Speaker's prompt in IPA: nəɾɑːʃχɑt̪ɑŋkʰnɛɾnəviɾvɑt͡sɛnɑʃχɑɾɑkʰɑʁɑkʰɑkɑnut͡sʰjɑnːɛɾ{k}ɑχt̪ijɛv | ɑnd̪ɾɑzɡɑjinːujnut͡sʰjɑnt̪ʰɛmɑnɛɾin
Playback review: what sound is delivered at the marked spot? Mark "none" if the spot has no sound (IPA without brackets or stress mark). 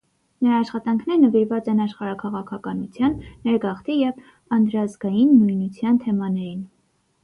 ɡ